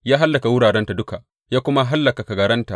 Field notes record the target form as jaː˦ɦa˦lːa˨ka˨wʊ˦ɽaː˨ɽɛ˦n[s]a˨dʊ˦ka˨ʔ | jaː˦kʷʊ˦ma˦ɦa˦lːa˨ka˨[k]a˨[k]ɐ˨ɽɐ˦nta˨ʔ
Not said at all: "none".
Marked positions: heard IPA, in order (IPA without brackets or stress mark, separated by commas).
t, k, ɡ